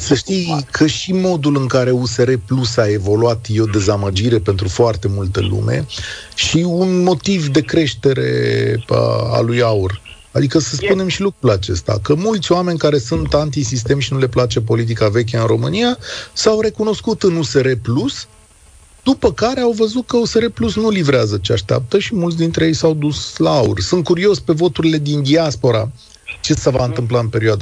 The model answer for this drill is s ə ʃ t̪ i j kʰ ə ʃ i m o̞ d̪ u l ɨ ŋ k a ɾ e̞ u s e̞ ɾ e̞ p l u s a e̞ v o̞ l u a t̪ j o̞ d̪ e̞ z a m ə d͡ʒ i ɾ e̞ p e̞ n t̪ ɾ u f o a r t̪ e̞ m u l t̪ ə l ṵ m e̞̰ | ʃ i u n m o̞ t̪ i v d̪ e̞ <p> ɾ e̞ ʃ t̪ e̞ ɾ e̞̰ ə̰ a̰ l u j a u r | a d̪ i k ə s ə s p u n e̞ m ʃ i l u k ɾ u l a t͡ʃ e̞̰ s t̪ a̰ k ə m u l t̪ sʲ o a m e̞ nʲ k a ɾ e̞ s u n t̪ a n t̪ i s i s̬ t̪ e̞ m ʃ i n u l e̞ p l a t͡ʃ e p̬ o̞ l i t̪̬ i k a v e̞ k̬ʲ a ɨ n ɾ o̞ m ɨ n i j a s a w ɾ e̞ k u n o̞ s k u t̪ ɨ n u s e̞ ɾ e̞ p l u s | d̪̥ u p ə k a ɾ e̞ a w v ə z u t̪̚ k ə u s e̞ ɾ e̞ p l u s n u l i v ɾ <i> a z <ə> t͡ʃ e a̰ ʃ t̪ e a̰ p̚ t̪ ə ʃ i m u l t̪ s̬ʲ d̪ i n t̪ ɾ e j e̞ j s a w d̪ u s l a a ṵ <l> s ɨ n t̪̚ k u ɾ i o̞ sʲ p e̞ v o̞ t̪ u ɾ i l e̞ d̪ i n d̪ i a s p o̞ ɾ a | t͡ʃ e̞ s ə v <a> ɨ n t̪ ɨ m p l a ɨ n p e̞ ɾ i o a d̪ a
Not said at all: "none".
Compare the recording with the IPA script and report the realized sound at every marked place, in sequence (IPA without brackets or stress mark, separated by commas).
k, e, ə, r, a